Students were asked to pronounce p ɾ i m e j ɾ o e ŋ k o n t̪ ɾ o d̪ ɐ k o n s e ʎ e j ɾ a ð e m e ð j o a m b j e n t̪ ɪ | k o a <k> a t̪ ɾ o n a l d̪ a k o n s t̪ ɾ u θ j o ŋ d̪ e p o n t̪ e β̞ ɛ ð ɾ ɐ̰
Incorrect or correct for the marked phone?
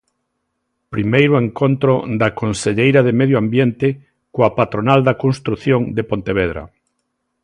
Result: incorrect: p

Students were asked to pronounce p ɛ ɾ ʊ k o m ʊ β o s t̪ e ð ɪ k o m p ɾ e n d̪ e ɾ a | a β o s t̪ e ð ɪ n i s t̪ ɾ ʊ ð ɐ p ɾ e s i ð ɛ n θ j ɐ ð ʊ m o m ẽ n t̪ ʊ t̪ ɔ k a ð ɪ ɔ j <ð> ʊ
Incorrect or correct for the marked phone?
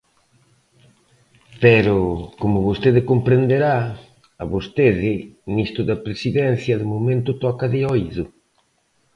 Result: correct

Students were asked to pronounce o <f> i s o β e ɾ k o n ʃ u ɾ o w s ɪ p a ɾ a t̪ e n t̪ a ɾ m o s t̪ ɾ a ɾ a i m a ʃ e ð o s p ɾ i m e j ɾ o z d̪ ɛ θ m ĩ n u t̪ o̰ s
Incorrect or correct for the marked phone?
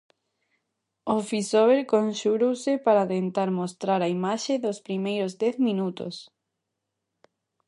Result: correct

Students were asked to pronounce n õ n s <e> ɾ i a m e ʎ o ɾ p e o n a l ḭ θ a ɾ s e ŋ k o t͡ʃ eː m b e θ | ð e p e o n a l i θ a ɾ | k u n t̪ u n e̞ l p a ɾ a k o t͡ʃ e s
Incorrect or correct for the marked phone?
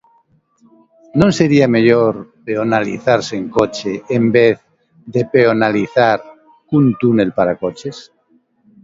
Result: correct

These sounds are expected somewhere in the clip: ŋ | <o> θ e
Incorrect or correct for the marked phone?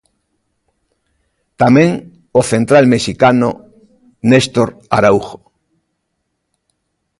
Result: correct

